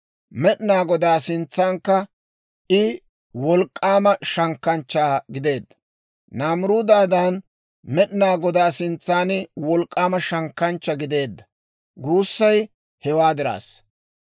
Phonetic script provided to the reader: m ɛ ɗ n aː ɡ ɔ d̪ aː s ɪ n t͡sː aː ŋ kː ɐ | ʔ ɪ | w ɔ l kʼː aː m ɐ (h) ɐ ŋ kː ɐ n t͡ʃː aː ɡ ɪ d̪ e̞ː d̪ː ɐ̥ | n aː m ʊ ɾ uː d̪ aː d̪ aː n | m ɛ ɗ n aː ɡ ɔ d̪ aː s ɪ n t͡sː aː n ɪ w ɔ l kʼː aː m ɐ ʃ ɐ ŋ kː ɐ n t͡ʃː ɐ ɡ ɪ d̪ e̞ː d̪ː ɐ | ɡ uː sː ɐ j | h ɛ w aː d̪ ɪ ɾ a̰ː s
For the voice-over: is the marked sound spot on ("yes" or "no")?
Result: no